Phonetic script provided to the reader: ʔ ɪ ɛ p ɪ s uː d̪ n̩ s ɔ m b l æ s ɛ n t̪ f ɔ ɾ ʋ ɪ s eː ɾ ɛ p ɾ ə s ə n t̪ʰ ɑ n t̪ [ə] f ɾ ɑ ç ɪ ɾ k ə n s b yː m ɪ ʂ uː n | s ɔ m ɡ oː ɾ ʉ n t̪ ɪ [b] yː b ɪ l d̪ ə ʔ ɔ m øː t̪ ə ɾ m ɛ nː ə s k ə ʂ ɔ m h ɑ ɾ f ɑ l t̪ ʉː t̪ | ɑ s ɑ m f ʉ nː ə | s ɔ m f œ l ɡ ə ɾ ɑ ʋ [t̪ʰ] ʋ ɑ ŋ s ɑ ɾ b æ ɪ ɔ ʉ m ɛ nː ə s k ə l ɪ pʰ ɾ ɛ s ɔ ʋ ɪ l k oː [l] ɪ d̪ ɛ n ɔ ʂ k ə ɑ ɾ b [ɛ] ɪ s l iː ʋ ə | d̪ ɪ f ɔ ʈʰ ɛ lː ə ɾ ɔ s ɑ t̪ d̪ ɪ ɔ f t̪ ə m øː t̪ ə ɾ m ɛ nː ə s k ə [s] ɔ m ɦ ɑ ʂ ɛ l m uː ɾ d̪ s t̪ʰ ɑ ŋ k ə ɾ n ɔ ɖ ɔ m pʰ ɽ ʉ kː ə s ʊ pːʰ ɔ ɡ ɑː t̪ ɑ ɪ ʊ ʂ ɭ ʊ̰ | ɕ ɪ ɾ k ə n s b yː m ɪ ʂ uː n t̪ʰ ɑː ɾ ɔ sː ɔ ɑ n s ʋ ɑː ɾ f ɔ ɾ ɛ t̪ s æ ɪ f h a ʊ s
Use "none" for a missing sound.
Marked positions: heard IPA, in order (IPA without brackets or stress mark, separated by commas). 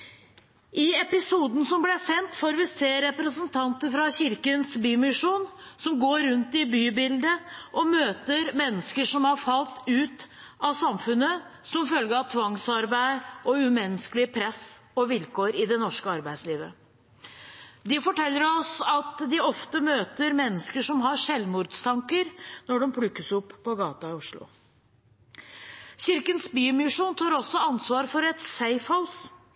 ə, b, t̪ʰ, ɾ, æ, ʂ